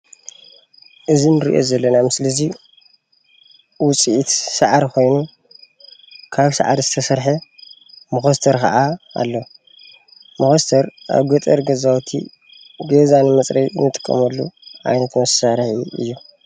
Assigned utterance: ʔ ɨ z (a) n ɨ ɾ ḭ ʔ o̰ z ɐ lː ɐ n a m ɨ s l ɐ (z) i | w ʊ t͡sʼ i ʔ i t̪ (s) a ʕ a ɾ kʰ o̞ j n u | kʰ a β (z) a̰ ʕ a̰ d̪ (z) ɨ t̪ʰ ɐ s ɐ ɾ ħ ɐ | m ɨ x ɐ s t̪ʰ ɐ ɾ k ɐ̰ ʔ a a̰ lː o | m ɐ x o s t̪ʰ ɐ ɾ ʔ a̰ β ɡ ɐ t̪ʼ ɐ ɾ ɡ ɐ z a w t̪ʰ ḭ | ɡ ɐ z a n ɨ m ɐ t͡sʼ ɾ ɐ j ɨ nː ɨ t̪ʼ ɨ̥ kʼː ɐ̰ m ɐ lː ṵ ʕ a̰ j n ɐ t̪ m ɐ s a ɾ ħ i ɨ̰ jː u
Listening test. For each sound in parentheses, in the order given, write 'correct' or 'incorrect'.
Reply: incorrect: i, correct, correct, incorrect: s, correct

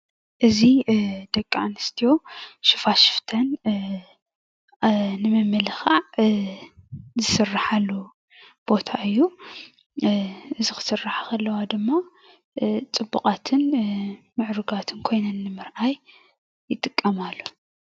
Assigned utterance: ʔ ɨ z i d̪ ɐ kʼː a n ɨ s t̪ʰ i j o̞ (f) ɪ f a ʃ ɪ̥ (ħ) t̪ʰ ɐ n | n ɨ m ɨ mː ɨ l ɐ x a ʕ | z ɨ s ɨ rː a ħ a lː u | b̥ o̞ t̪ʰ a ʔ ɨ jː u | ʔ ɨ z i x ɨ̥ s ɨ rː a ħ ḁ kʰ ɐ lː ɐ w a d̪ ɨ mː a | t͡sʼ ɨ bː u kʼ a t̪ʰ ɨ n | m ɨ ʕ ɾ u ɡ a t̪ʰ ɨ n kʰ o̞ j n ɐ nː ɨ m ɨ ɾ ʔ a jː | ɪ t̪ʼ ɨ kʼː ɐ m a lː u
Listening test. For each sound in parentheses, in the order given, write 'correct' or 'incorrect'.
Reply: incorrect: ʃ, incorrect: f

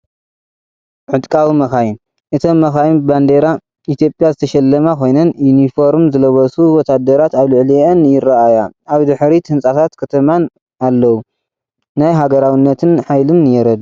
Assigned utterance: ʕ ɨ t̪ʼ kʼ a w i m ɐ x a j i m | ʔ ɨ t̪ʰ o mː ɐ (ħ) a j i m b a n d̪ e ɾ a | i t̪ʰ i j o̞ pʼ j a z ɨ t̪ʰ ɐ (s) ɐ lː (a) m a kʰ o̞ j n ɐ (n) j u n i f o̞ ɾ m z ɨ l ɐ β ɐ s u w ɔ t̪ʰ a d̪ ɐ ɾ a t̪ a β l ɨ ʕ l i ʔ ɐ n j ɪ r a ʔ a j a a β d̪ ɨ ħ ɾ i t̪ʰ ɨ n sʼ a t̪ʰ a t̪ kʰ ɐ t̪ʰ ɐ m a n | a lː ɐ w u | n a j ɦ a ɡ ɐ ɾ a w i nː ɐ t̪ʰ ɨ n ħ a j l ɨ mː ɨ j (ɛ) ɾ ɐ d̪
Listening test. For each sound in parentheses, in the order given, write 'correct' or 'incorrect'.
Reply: incorrect: x, incorrect: ʃ, incorrect: ɐ, correct, correct

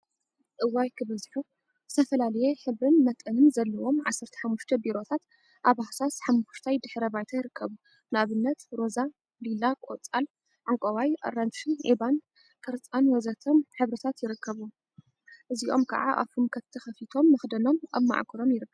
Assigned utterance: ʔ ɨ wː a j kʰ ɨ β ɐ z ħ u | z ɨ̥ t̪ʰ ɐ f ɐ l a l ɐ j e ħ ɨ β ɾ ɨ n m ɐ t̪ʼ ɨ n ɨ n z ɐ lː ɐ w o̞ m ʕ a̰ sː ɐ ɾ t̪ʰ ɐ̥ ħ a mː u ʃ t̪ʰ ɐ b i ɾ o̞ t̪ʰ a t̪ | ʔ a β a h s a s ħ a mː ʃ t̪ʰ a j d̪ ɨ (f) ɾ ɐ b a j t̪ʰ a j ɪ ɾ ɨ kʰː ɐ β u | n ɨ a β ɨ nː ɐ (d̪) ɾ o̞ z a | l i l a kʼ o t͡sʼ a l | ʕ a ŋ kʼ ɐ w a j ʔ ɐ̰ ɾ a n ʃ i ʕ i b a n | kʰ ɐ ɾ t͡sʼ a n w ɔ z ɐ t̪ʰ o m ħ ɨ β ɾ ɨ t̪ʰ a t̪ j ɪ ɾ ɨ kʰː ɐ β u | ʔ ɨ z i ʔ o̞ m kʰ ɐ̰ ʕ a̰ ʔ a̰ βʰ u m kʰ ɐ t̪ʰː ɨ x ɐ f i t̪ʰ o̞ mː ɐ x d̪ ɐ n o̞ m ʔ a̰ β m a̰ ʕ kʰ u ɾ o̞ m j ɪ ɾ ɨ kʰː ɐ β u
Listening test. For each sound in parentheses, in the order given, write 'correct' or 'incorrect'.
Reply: incorrect: ħ, incorrect: t̪

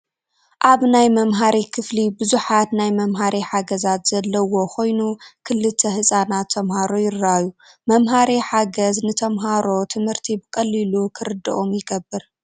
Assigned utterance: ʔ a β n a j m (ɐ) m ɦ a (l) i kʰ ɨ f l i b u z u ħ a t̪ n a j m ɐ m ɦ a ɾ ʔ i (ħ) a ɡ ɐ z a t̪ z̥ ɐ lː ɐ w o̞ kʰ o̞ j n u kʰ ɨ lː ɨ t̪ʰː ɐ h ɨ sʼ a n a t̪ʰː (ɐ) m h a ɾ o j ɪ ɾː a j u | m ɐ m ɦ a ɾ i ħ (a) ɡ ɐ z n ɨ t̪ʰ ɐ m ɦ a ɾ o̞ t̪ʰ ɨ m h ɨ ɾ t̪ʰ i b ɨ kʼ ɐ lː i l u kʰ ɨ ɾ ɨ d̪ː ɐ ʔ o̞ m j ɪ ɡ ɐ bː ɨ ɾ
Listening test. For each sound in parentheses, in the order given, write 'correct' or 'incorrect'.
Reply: correct, incorrect: ɾ, correct, correct, correct

